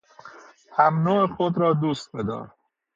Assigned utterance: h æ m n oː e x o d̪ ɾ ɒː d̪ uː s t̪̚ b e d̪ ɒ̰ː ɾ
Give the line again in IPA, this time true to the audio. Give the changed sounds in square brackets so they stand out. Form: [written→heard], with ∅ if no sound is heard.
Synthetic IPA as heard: h æ m n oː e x o d̪ ɾ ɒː d̪ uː s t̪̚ b e d̪ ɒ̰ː ɾ

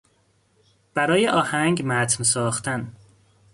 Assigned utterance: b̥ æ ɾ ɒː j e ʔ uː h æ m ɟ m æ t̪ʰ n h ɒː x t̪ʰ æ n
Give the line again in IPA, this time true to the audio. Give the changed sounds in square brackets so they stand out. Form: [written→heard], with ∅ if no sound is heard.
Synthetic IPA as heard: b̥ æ ɾ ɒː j e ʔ [uː→ɒː] h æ [m→ŋ] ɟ m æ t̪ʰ n [h→s] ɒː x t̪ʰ æ n

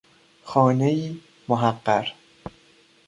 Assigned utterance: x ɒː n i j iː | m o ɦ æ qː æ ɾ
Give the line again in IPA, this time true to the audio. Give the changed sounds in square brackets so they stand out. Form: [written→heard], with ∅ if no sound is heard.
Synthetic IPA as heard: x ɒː n [i→e] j iː | m o ɦ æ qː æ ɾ

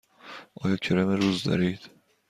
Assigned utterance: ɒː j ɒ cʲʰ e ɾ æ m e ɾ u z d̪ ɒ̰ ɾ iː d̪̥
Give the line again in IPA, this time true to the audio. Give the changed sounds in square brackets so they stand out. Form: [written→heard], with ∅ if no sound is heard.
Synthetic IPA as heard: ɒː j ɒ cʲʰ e ɾ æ m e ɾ u z d̪ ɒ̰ ɾ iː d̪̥

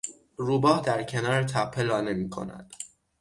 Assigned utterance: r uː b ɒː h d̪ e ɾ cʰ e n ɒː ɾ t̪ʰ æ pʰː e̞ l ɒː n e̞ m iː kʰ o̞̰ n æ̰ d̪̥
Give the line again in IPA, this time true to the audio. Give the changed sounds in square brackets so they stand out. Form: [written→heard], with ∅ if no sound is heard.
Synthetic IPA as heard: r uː b ɒː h d̪ [e→æ] ɾ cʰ e n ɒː ɾ t̪ʰ æ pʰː e̞ l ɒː n e̞ m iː kʰ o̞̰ n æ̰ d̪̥

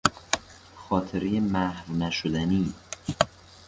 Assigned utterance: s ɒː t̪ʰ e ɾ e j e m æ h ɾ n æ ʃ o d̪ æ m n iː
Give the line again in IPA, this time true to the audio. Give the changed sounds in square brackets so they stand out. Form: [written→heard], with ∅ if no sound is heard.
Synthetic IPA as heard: [s→x] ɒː t̪ʰ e ɾ e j e m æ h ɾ n æ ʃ o d̪ æ [m→∅] n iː

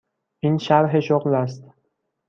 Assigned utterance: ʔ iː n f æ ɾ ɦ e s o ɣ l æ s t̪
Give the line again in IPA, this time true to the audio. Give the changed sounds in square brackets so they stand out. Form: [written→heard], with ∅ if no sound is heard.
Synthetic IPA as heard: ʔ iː n [f→ʃ] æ ɾ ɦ e [s→ʃ] o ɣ l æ s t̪

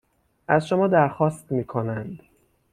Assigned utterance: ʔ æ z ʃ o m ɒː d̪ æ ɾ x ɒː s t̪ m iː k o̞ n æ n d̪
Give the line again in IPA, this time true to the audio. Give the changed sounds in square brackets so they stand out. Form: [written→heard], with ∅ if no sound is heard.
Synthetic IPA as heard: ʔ æ z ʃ o m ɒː d̪ æ ɾ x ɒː s t̪ m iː [k→kʰ] o̞ n æ n d̪

